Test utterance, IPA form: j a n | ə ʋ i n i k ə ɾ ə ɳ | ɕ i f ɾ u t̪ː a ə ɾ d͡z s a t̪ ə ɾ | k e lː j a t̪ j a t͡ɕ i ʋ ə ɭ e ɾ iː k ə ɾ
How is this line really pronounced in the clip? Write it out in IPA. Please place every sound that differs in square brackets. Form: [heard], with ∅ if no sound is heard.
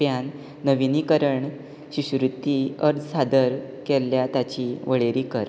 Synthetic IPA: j a [nː] | ə ʋ i n i k ə ɾ ə ɳ | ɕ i [ɕ] ɾ u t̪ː [i] ə ɾ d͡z s a [d̪] ə ɾ | k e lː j a t̪ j a t͡ɕ i ʋ ə ɭ e ɾ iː k ə ɾ